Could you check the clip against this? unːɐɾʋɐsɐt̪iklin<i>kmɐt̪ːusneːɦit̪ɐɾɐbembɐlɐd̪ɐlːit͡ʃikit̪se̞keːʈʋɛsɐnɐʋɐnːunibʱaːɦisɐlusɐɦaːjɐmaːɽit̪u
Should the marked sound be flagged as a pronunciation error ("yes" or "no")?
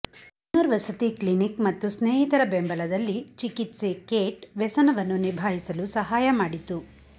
no